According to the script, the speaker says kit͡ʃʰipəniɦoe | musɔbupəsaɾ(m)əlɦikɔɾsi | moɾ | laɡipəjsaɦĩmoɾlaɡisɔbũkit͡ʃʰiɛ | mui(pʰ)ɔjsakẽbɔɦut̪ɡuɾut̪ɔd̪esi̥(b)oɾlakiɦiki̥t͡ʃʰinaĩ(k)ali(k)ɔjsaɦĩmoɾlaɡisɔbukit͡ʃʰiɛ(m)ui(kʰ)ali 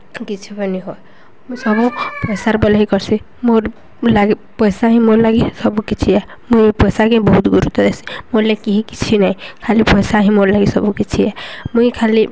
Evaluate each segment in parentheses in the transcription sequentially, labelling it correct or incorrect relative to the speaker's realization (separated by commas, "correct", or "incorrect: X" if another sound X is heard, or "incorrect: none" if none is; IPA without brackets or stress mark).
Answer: incorrect: b, incorrect: p, incorrect: m, incorrect: kʰ, incorrect: p, correct, correct